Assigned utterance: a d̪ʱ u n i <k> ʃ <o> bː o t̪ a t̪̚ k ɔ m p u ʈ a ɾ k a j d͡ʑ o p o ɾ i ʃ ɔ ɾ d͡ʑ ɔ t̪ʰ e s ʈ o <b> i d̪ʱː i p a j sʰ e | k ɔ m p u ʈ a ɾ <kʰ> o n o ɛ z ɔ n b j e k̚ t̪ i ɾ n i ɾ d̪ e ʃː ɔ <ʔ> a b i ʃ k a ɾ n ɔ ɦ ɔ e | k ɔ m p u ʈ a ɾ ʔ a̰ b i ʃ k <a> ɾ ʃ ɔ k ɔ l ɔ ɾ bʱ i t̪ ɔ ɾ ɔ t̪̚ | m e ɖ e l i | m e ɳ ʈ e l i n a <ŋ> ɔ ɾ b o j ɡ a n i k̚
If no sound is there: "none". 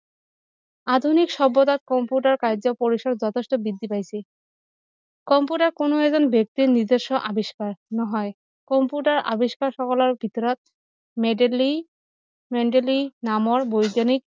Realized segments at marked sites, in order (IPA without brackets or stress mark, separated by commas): k, ɔ, b, k, ʔ, a, m